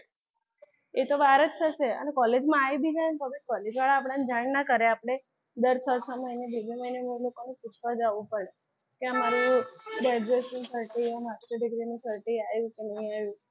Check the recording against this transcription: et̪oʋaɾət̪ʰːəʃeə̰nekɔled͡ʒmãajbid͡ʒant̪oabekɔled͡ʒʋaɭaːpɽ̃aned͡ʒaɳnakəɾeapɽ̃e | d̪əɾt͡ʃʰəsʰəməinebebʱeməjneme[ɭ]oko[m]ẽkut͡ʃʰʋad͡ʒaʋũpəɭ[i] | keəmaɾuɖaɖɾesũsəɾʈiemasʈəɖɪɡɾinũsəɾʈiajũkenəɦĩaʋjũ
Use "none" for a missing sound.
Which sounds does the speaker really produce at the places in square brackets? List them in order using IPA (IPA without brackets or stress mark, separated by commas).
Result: l, n, e